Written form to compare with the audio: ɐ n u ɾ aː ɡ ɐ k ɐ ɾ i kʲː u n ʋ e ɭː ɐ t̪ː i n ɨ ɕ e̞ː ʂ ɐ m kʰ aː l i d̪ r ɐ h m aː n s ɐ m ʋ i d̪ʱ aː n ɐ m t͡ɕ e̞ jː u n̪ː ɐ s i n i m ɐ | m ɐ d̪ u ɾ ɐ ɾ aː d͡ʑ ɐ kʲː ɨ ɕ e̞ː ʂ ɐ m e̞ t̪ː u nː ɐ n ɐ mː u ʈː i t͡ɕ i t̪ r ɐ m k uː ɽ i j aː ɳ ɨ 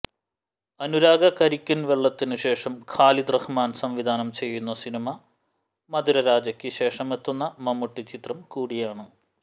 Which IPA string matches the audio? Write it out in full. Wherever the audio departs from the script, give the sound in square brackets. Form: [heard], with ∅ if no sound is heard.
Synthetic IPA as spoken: ɐ n u ɾ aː ɡ ɐ k ɐ ɾ i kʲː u n ʋ e ɭː ɐ t̪ː i n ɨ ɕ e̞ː ʂ ɐ m kʰ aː l i d̪ r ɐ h m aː n s ɐ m ʋ i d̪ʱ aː n ɐ m t͡ɕ e̞ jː u n̪ː ɐ s i n i m ɐ | m ɐ d̪ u ɾ ɐ ɾ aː d͡ʑ ɐ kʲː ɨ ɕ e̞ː ʂ ɐ m e̞ t̪ː u nː ɐ [m] ɐ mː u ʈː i t͡ɕ i t̪ r ɐ m k uː ɽ i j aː ɳ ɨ